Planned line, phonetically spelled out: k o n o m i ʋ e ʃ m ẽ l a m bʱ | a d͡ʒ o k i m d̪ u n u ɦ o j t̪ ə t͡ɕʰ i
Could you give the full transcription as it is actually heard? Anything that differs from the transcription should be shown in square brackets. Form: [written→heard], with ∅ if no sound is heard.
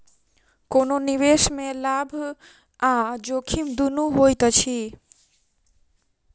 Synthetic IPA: k o n o [m→n] i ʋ e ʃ m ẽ l a [m→∅] bʱ | a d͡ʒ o [k→kʰ] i m d̪ u n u ɦ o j t̪ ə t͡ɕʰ i